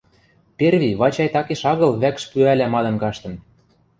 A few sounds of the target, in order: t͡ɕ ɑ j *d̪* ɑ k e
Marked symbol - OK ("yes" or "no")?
no